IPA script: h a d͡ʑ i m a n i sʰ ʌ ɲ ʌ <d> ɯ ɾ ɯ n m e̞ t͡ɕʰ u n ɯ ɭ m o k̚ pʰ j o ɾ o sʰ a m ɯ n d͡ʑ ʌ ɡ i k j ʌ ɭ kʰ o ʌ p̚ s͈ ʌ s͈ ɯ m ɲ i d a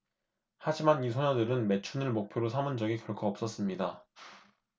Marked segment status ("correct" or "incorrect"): correct